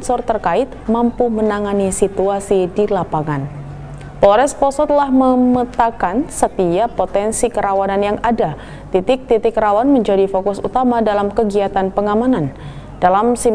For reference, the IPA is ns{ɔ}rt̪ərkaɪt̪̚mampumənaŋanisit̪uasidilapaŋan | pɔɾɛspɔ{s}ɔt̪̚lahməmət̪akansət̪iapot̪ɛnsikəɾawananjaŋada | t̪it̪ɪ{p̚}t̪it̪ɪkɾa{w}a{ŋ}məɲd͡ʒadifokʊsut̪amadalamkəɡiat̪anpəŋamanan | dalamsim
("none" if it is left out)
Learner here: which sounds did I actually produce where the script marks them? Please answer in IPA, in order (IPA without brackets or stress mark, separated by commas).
ɔ, s, k̚, w, n